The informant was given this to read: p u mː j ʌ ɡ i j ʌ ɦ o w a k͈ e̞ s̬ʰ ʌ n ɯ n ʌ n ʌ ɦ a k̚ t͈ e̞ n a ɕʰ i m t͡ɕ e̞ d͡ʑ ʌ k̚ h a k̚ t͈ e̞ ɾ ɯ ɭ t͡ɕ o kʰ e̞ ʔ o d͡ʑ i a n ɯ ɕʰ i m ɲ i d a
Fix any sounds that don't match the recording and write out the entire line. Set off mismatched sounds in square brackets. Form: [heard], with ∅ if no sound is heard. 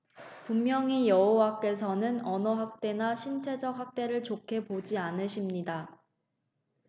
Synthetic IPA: p u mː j ʌ [ŋ] i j ʌ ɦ o w a k͈ e̞ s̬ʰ ʌ n ɯ n ʌ n ʌ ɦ a k̚ t͈ e̞ n a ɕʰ i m [t͡ɕʰ] e̞ d͡ʑ ʌ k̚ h a k̚ t͈ e̞ ɾ ɯ ɭ t͡ɕ o kʰ e̞ [p] o d͡ʑ i a n ɯ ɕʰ i m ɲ i d a